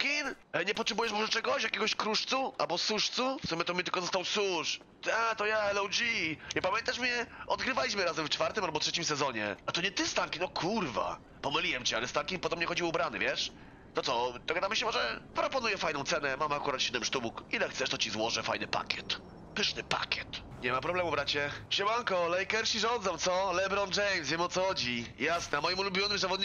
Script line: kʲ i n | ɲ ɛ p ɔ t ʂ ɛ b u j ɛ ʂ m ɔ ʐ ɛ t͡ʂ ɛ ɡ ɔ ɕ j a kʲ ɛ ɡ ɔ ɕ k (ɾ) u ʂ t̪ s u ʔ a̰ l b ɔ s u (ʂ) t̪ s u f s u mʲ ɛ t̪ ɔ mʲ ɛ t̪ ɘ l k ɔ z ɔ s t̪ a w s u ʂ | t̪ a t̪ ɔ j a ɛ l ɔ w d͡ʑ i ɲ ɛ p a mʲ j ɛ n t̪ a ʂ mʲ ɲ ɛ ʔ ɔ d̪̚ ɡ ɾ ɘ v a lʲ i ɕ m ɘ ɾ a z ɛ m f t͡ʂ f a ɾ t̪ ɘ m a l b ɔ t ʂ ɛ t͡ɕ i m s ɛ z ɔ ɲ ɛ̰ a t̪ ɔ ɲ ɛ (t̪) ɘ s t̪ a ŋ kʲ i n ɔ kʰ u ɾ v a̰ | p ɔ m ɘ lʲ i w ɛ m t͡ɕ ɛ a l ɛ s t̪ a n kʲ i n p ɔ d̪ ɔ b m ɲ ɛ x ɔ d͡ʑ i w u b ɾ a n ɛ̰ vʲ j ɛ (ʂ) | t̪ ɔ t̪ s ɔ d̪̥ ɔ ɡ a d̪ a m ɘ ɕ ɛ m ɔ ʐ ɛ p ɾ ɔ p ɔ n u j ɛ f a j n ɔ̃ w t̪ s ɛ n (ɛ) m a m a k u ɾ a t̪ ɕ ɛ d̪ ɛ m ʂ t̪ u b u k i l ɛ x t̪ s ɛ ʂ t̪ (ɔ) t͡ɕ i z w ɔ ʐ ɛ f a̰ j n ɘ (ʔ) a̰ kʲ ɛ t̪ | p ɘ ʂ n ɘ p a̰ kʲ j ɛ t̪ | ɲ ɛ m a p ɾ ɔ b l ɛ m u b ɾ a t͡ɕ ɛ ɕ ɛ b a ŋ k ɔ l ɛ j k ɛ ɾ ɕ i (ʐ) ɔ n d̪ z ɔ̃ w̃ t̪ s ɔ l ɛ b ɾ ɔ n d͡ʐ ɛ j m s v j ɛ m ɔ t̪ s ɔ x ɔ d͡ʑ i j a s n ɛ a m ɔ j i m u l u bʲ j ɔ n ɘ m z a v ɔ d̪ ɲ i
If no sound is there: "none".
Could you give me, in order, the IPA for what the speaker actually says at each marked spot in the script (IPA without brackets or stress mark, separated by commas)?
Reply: ɾ, ʂ, t̪, ʂ, ɛ, ɔ, p, ʐ